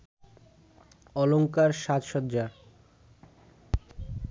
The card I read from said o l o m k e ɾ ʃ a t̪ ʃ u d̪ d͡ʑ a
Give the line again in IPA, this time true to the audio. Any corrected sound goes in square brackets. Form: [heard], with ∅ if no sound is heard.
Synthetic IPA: [ɔ] l o [ŋ] k [a] ɾ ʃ a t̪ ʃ [ɔ] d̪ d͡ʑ a